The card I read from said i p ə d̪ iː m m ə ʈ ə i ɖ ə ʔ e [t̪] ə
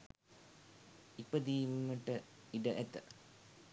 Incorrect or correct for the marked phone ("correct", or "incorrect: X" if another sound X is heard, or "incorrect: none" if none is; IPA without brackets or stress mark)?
correct